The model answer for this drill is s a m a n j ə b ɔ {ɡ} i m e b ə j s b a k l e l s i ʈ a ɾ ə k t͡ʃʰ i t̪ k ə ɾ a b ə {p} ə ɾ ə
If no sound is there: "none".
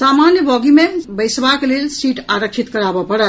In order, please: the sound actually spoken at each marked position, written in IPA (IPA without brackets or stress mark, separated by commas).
ɡ, p